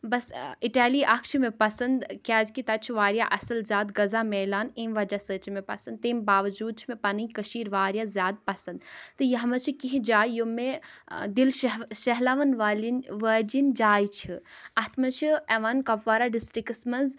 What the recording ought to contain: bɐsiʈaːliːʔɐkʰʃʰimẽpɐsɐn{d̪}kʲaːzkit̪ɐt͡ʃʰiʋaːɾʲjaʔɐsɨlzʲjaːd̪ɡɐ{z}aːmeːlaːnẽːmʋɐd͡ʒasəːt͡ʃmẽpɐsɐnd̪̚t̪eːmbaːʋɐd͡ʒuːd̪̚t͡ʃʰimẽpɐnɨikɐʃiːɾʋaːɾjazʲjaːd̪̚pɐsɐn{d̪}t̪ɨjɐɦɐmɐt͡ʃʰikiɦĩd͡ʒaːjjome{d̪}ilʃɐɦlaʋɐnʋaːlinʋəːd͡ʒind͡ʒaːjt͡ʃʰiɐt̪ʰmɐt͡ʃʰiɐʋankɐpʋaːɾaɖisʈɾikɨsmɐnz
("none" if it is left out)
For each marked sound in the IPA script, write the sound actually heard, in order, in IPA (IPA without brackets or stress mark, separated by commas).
d̪, z, d̪, d̪